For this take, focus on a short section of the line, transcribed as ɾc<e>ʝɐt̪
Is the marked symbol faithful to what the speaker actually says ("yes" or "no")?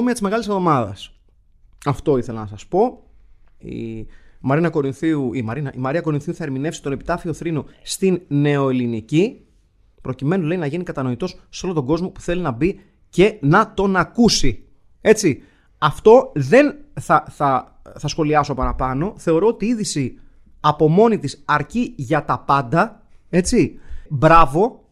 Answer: no